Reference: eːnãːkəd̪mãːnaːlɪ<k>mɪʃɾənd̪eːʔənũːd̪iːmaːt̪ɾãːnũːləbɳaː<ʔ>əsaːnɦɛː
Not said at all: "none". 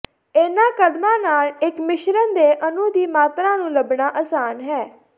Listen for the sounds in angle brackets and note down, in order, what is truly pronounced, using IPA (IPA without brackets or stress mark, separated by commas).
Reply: k, ʔ